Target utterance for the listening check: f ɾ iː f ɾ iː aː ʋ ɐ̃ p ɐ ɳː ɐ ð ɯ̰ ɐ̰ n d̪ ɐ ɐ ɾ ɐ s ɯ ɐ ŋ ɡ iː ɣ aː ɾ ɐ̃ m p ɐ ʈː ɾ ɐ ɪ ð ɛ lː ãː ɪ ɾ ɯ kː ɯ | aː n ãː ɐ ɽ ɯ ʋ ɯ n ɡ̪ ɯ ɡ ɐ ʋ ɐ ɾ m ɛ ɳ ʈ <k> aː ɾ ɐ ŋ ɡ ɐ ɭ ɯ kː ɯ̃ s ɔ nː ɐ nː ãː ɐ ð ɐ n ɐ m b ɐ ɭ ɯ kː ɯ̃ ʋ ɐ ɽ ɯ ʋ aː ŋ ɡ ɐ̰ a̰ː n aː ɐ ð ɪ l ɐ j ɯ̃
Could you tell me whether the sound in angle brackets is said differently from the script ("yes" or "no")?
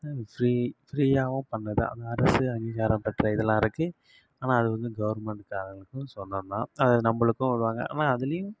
no